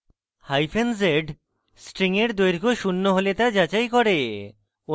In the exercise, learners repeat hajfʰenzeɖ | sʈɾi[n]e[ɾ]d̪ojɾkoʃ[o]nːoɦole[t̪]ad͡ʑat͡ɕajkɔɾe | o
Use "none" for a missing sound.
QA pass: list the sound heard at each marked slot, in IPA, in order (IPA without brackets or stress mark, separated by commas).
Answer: ŋ, ɾ, u, t̪